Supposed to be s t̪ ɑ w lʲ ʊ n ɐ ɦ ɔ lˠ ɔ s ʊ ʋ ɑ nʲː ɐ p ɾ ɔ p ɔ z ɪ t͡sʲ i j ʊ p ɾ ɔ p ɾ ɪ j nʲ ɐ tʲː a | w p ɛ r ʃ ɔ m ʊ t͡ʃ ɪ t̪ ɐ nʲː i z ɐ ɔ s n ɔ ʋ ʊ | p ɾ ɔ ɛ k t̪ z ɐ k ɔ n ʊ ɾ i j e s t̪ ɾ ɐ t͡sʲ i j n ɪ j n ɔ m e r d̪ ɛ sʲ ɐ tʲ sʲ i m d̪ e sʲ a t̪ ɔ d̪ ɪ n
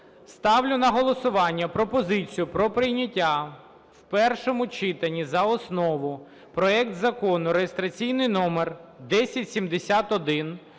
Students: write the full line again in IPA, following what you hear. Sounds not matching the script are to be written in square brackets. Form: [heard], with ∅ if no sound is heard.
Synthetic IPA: s t̪ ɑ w lʲ ʊ n ɐ ɦ ɔ lˠ ɔ s ʊ ʋ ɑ nʲː ɐ p ɾ ɔ p ɔ z ɪ t͡sʲ i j ʊ p ɾ ɔ p ɾ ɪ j nʲ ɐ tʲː a | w p ɛ r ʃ ɔ m ʊ t͡ʃ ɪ t̪ ɐ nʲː i z ɐ ɔ s n ɔ ʋ ʊ | p ɾ ɔ ɛ k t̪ z ɐ k ɔ n ʊ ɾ [e] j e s t̪ ɾ ɐ t͡sʲ i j n ɪ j n ɔ m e r d̪ ɛ sʲ ɐ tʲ sʲ i m d̪ e sʲ a t̪ ɔ d̪ ɪ n